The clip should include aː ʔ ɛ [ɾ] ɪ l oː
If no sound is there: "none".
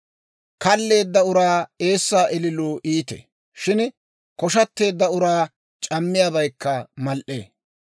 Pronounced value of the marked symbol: l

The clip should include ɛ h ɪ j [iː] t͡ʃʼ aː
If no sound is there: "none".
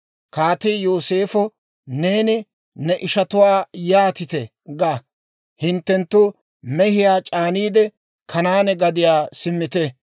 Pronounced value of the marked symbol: aː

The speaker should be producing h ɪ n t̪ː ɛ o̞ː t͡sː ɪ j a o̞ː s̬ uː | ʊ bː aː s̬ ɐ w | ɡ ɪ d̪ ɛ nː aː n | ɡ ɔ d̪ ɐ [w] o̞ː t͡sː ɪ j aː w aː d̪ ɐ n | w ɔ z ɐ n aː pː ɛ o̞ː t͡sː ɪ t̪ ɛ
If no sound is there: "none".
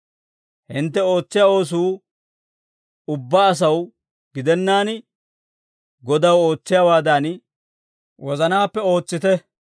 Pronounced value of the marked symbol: w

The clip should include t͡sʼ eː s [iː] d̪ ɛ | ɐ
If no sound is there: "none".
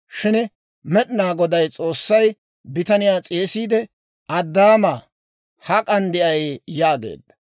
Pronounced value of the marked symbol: iː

